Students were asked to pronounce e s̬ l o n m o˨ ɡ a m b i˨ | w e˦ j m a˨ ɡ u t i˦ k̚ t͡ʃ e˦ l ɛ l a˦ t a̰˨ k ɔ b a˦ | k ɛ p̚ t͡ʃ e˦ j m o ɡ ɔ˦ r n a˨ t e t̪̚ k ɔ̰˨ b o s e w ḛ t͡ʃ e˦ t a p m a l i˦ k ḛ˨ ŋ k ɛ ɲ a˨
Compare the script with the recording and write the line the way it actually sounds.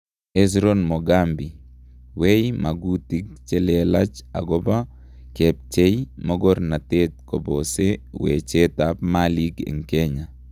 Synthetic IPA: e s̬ ɾ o n m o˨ ɡ a m b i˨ | w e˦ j m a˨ ɡ u t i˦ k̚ t͡ʃ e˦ l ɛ l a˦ t͡ʃ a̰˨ ɡ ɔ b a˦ | k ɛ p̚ t͡ʃ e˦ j m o ɡ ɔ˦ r n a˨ t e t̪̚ k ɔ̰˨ b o s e w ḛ t͡ʃ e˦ t a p m a l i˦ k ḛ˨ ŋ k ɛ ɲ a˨

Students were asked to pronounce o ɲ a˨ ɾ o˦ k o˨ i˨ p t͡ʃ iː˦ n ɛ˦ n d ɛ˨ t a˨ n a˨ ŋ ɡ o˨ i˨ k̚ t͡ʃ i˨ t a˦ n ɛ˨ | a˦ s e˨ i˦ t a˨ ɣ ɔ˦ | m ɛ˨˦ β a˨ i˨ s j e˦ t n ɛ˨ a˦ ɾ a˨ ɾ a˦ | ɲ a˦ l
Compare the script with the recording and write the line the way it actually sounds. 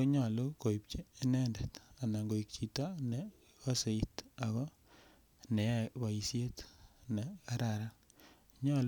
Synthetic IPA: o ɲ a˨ l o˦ k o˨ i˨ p t͡ʃ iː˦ n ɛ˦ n d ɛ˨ t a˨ n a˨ ŋ ɡ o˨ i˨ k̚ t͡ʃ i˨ t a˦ n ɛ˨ | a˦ s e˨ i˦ t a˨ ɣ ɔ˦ | n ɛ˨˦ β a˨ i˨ s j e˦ t n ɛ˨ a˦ ɾ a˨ ɾ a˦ | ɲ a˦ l

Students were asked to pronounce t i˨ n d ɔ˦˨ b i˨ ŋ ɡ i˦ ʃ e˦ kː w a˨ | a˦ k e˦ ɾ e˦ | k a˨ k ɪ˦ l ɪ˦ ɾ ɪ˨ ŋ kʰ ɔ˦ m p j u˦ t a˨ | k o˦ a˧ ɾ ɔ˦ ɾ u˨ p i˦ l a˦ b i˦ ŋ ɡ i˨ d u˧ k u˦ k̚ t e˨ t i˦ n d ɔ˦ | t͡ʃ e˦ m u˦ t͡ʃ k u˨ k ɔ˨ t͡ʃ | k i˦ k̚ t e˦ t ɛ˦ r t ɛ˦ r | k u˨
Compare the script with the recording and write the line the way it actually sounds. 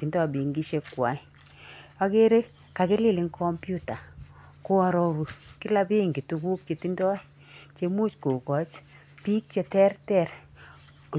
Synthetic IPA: t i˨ n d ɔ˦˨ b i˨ ŋ ɡ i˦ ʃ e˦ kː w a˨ | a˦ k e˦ ɾ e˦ | k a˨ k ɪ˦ l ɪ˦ l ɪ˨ ŋ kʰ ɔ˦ m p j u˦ t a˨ | k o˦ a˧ ɾ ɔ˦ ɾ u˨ k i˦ l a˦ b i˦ ŋ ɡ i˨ t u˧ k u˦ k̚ t͡ʃ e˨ t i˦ n d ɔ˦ | t͡ʃ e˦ m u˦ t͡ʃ k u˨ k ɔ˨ t͡ʃ | p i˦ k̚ t͡ʃ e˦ t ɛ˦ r t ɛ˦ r | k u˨

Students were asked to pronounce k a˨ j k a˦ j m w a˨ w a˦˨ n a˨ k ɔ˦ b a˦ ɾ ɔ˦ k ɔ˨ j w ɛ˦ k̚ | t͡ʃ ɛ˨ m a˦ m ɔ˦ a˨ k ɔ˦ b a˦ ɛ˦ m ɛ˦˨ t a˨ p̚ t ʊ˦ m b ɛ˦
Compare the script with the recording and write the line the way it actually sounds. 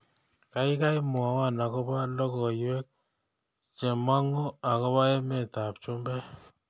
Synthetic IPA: k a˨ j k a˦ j m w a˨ w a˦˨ n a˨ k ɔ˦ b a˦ l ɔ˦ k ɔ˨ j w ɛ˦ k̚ | t͡ʃ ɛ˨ m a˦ ŋ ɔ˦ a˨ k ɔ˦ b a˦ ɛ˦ m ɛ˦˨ t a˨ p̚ t͡ʃ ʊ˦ m b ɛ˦

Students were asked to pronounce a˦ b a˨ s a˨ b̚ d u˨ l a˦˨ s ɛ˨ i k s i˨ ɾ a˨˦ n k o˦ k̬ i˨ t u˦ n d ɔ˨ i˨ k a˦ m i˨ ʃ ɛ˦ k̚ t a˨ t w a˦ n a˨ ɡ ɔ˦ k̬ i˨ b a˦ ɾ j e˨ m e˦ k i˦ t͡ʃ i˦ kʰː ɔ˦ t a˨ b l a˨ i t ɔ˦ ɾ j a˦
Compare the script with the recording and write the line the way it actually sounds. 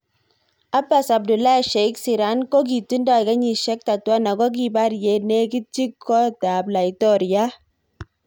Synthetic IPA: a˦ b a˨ s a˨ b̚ d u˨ l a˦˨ ʃ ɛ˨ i k s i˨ ɾ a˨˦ n k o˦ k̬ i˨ t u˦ n d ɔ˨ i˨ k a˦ ɲ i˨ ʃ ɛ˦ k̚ t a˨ t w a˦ n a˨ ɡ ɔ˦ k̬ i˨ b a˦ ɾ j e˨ n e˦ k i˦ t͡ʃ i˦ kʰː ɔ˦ t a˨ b l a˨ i t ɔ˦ ɾ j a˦

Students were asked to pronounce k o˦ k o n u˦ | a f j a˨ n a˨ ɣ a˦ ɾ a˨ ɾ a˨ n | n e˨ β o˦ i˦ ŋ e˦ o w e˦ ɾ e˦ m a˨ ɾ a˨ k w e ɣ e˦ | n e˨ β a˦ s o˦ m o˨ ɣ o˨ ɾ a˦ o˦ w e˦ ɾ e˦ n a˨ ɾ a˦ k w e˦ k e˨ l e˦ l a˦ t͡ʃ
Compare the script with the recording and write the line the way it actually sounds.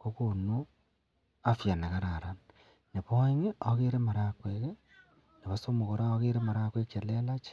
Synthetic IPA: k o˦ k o n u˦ | a f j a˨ n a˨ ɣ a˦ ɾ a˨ ɾ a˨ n | n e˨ β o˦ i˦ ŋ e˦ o ɣ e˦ ɾ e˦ m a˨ ɾ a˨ k w e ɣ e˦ | n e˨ β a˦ s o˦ m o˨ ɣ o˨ ɾ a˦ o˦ ɣ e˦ ɾ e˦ m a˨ ɾ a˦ k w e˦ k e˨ l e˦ l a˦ t͡ʃ

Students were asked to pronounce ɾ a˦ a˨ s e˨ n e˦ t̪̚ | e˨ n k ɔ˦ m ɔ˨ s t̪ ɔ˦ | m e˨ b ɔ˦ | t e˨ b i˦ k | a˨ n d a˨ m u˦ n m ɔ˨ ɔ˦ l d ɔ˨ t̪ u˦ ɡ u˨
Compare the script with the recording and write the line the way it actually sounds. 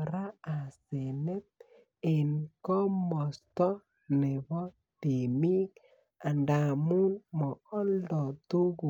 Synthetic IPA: ɾ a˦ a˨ s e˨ n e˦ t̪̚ | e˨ n k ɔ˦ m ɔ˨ s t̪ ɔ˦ | n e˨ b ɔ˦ | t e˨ m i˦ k | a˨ n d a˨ m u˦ n m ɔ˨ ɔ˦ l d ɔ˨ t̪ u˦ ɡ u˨

